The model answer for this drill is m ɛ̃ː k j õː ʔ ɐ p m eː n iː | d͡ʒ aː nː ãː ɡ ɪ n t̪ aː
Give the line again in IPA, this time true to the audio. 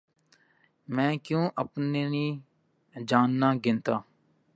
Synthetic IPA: m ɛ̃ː k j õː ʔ ə p n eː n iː | d͡ʒ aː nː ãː ɡ ɪ n t̪ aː